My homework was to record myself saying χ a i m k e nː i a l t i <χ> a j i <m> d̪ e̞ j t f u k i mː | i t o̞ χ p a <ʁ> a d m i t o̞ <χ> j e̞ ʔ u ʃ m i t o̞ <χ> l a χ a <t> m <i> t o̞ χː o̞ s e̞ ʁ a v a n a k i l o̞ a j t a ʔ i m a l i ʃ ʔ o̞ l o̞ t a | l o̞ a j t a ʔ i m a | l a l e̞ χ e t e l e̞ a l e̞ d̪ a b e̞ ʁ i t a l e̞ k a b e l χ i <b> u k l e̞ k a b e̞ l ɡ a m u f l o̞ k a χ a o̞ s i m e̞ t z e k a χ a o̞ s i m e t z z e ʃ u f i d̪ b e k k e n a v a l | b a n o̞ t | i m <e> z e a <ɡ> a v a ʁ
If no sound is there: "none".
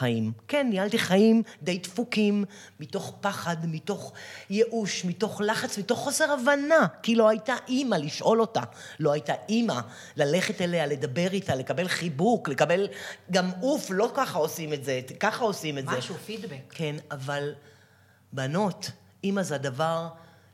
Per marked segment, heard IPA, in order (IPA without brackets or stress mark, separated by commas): χ, m, χ, χ, χ, t͡s, i, b, a, d